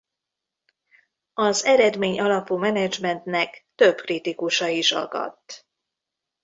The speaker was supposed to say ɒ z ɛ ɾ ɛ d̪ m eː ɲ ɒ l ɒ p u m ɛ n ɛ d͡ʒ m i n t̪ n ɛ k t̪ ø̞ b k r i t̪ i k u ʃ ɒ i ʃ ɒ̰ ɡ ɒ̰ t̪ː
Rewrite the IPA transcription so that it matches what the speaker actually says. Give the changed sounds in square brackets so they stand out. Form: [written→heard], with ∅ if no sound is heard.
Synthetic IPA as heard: ɒ z ɛ ɾ ɛ d̪ m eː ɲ ɒ l ɒ p u m ɛ n ɛ d͡ʒ m [i→ɛ] n t̪ n ɛ k t̪ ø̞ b k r i t̪ i k u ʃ ɒ i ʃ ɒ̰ ɡ ɒ̰ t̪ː

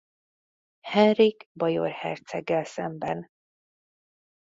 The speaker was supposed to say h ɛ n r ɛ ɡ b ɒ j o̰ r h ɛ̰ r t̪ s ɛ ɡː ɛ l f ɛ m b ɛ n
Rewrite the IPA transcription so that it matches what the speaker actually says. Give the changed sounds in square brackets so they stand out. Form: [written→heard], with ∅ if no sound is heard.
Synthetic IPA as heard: h ɛ n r [ɛ→i] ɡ b ɒ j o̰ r h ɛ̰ r t̪ s ɛ ɡː ɛ l [f→s] ɛ m b ɛ n

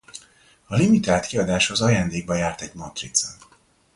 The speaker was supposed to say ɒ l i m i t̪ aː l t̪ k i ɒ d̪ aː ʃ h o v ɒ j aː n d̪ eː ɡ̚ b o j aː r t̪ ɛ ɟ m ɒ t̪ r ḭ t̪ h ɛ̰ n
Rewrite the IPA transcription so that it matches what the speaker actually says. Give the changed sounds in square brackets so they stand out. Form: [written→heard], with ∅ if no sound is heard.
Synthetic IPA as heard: ɒ l i m i t̪ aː l t̪ k i ɒ d̪ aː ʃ h o [v→z] ɒ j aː n d̪ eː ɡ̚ b [o→ɒ] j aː r t̪ ɛ ɟ m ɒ t̪ r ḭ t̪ [h→s] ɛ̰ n

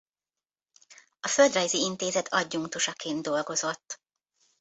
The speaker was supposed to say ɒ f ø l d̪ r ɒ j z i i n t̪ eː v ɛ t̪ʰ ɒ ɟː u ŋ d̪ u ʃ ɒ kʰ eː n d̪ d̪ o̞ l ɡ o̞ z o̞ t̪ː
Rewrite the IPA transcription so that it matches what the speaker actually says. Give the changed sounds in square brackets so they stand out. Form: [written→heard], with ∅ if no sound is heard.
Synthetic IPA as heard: ɒ f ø l d̪ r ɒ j z i i n t̪ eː [v→z] ɛ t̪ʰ ɒ ɟː u ŋ [d̪→t̪] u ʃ ɒ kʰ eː n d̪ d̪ o̞ l ɡ o̞ z o̞ t̪ː

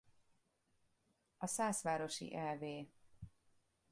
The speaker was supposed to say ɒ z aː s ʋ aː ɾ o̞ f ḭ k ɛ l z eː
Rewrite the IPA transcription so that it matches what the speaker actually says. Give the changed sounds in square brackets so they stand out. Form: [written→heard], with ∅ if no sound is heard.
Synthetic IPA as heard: ɒ [z→s] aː s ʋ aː ɾ o̞ [f→ʃ] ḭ [k→ʔ] ɛ l [z→v] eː

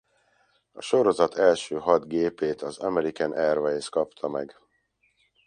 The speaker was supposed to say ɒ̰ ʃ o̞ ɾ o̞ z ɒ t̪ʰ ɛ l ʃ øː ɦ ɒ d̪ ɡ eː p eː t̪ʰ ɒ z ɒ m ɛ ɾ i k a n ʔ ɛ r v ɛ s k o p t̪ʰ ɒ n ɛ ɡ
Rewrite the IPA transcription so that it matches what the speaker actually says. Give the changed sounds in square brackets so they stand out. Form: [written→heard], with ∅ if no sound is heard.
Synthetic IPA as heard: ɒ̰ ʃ o̞ ɾ o̞ z ɒ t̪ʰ ɛ l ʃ øː ɦ ɒ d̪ ɡ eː p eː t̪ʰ ɒ z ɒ m ɛ ɾ i k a n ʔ ɛ r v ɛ s k [o→ɒ] p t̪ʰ ɒ [n→m] ɛ ɡ

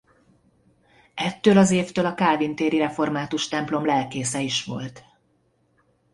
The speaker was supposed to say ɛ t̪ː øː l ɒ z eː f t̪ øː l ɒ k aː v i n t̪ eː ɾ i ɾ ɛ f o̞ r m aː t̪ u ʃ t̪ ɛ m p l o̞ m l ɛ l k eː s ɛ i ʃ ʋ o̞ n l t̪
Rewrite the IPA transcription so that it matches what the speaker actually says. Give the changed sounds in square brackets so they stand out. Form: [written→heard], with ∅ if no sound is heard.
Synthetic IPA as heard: ɛ t̪ː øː l ɒ z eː f t̪ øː l ɒ k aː v i n t̪ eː ɾ i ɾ ɛ f o̞ r m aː t̪ u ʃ t̪ ɛ m p l o̞ m l ɛ l k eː s ɛ i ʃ ʋ o̞ [n→∅] l t̪

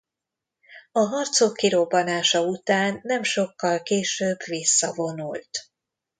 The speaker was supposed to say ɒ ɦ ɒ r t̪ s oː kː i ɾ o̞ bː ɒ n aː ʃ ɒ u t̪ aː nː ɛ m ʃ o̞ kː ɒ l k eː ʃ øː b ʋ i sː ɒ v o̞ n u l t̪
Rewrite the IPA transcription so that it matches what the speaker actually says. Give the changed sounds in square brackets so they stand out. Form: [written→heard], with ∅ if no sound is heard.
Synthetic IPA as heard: ɒ ɦ ɒ r t̪ s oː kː i ɾ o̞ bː ɒ n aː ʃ ɒ u t̪ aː nː ɛ m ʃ o̞ kː ɒ l k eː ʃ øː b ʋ i sː ɒ v o̞ n u l t̪

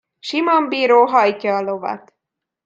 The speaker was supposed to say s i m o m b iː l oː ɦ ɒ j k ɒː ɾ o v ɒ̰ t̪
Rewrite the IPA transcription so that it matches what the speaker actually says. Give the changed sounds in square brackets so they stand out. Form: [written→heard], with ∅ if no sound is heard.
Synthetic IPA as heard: [s→ʃ] i m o m b iː [l→ɾ] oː ɦ ɒ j [k→c] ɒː [ɾ→l] o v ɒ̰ t̪

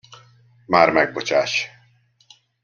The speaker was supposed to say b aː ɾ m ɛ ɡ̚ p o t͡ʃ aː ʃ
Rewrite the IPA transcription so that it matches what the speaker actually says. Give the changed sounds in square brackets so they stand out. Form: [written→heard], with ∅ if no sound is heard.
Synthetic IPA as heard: [b→m] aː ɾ m ɛ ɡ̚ [p→b] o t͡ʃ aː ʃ

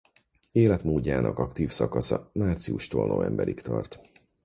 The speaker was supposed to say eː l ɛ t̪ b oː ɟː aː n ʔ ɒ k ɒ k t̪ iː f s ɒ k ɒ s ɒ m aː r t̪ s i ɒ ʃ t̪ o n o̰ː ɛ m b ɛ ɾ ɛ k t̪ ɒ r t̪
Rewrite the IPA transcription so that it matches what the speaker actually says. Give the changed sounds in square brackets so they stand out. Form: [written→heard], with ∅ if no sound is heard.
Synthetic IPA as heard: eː l ɛ t̪ [b→m] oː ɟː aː n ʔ ɒ k ɒ k t̪ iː f s ɒ k ɒ s ɒ m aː r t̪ s i [ɒ→u] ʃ t̪ o n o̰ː ɛ m b ɛ ɾ [ɛ→i] k t̪ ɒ r t̪

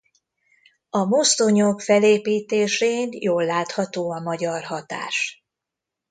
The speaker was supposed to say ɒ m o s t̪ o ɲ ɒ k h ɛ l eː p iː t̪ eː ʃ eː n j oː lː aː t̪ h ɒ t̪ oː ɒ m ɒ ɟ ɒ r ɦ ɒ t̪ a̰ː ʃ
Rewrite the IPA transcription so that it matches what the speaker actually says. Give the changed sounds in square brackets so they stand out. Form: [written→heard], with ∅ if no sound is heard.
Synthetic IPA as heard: ɒ m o s t̪ o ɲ [ɒ→o] k [h→f] ɛ l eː p iː t̪ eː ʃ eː n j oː lː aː t̪ h ɒ t̪ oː ɒ m ɒ ɟ ɒ r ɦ ɒ t̪ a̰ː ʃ

